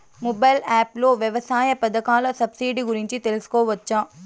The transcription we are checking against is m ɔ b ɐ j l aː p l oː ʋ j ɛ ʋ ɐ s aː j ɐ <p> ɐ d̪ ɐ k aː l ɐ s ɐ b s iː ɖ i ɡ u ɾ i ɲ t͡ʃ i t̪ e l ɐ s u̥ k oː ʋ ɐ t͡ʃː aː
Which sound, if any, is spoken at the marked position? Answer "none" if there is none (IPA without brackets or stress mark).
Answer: p